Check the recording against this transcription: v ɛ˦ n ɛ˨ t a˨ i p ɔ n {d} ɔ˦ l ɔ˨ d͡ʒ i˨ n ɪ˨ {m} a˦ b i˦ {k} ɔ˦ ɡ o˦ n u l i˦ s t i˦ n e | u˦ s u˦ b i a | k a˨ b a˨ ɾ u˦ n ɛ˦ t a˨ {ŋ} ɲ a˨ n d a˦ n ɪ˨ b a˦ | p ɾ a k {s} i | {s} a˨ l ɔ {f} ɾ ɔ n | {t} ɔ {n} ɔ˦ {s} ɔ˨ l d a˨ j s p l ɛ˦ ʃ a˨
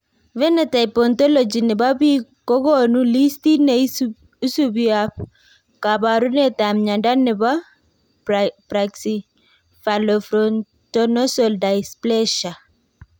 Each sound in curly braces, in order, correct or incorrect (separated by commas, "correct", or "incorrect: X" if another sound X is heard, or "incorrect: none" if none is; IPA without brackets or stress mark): incorrect: t, incorrect: b, correct, incorrect: m, correct, incorrect: f, correct, correct, correct, correct